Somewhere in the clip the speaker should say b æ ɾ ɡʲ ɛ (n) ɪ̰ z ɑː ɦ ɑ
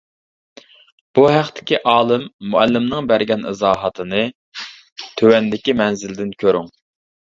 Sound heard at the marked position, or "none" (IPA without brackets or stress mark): n